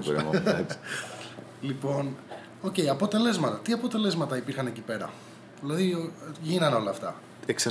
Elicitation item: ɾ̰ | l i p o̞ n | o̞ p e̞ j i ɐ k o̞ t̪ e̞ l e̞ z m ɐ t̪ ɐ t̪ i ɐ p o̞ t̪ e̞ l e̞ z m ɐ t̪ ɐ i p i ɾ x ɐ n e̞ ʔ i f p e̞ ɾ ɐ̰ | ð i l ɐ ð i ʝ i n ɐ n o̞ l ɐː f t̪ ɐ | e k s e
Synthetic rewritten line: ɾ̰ | l i p o̞ n | o̞ c e̞ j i ɐ p o̞ t̪ e̞ l e̞ z m ɐ t̪ ɐ t̪ i ɐ p o̞ t̪ e̞ l e̞ z m ɐ t̪ ɐ i p i ɾ x ɐ n e̞ c i p e̞ ɾ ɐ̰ | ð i l ɐ ð i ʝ i n ɐ n o̞ l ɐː f t̪ ɐ | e k s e